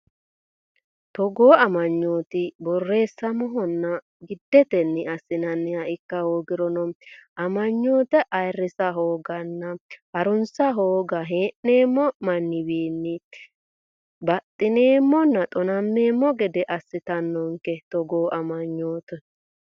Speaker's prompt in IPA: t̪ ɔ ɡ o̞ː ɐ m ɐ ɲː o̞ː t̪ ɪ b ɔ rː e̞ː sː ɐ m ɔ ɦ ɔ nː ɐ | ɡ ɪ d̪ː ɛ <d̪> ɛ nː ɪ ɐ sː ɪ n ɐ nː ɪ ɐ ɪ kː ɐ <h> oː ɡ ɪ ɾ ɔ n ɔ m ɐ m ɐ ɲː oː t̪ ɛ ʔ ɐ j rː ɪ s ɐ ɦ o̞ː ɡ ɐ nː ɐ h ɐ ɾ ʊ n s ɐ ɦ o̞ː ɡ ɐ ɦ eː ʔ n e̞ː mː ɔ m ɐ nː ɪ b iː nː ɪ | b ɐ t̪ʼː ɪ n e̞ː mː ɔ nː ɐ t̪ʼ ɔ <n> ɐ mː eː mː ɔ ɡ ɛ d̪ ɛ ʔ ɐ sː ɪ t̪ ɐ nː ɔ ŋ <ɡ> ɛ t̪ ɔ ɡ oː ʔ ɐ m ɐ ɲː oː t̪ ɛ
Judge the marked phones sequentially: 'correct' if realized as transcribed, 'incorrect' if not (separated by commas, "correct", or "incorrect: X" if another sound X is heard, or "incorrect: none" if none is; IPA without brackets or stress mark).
incorrect: t̪, correct, correct, incorrect: k